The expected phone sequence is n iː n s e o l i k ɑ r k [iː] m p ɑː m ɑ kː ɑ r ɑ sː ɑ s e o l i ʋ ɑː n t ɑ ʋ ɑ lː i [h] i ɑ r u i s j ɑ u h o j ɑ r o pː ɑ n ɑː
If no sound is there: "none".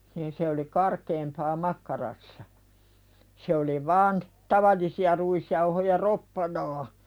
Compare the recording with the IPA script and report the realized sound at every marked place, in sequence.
eː, s

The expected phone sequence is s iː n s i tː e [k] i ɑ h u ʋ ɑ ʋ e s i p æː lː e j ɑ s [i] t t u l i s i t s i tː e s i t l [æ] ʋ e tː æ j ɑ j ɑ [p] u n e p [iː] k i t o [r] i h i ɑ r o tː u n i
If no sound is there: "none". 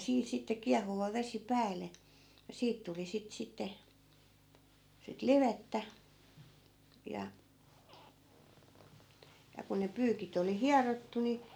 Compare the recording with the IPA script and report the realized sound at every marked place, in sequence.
k, iː, i, k, yː, l

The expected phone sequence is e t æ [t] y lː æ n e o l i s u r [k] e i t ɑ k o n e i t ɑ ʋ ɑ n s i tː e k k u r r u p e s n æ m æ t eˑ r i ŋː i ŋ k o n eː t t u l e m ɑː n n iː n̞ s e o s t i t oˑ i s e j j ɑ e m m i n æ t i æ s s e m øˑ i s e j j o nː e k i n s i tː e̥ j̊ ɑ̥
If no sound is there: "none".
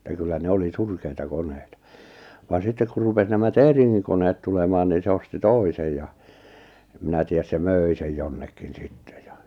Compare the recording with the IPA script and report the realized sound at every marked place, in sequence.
k, k

